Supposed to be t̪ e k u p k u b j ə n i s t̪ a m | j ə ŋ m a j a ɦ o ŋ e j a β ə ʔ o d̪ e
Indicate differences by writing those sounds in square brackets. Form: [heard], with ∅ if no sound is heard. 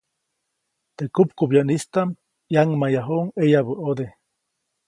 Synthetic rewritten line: t̪ e k u p k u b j [a] n i s t̪ a m | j [a] ŋ m a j a ɦ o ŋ e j a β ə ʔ o d̪ e